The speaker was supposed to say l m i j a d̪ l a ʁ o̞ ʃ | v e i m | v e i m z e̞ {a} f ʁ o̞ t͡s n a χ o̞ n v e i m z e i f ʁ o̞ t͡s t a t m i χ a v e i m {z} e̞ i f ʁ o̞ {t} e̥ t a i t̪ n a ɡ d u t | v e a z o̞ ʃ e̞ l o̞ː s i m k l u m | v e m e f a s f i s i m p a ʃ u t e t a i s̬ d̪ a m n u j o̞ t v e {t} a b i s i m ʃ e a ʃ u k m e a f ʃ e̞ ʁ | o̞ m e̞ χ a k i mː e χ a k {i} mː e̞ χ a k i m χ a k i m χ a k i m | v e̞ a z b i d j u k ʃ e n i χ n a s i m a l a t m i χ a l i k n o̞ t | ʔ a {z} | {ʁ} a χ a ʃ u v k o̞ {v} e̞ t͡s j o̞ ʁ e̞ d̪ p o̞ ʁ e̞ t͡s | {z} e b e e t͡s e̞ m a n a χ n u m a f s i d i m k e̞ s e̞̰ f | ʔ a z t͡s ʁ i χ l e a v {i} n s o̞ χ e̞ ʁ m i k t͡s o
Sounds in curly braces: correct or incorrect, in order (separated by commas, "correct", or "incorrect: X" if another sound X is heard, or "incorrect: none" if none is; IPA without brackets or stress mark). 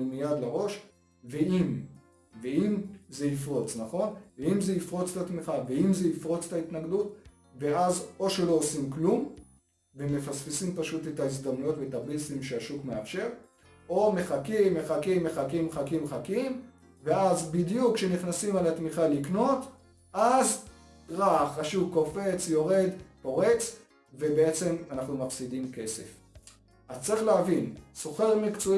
incorrect: i, correct, incorrect: t͡s, correct, correct, correct, correct, incorrect: f, incorrect: v, correct